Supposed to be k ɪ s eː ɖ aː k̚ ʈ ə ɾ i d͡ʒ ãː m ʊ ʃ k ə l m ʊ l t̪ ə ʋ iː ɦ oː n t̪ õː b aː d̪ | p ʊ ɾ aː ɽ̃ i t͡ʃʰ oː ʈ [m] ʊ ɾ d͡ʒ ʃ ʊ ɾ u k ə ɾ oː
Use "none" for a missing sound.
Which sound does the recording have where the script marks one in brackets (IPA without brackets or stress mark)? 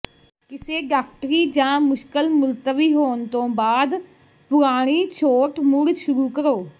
m